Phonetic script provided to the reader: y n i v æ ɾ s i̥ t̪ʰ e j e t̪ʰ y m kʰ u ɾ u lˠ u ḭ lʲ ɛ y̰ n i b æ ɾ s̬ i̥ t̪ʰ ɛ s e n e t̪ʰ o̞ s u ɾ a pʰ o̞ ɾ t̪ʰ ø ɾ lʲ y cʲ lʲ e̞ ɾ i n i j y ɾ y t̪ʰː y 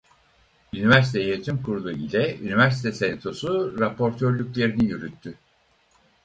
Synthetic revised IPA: y n i v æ ɾ s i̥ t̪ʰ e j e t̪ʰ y m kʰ u ɾ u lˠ u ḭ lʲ ɛ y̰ n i v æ ɾ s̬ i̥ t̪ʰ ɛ s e n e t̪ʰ o̞ s u ɾ a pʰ o̞ ɾ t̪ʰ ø ɾ lʲ y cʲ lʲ e̞ ɾ i n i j y ɾ y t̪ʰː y